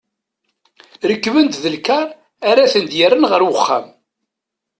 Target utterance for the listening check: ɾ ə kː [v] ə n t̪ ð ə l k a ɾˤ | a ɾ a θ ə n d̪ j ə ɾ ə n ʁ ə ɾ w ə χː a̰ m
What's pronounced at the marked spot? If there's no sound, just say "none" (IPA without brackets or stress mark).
v